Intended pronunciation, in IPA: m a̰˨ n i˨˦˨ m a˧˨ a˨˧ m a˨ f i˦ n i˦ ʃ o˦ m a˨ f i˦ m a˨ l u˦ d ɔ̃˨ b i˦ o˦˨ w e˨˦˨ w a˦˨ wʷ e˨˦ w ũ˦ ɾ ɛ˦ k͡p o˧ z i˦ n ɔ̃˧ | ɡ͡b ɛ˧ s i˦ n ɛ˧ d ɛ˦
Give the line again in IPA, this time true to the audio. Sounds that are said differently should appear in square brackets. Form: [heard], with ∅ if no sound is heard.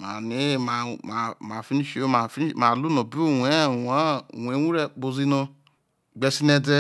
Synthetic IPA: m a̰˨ n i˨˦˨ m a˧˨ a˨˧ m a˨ f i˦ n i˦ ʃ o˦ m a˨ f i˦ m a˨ l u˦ [n] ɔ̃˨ b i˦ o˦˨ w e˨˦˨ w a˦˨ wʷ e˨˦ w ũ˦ ɾ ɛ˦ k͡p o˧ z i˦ n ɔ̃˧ | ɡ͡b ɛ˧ s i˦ n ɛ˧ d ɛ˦